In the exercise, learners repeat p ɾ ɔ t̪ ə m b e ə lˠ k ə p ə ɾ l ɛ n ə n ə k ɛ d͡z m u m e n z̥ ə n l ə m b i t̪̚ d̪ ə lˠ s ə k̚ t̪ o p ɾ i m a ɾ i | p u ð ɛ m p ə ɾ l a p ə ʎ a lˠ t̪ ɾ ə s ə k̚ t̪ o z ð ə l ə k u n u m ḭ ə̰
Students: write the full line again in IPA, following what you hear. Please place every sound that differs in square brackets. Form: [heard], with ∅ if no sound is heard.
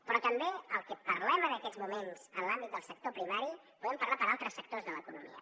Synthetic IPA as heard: p ɾ ɔ t̪ ə m b e ə lˠ k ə p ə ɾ l ɛ [m] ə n ə k ɛ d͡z m u m e n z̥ ə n l [a] m b i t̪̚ d̪ ə lˠ s ə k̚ t̪ o p ɾ i m a ɾ i | p u ð ɛ m p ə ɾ l a p ə [ɾ] a lˠ t̪ ɾ ə s ə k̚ t̪ o z ð ə l ə k u n u m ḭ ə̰